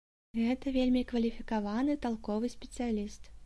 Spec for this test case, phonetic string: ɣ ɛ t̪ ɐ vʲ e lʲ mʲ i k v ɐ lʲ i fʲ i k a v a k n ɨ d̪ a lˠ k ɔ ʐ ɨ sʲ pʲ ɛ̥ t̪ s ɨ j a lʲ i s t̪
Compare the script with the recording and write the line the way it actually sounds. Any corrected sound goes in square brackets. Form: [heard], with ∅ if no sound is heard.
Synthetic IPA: ɣ ɛ t̪ ɐ vʲ e lʲ mʲ i k v ɐ lʲ i fʲ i k a v a [∅] n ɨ [t̪] a lˠ k ɔ [v] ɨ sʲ pʲ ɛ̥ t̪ s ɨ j a lʲ i s t̪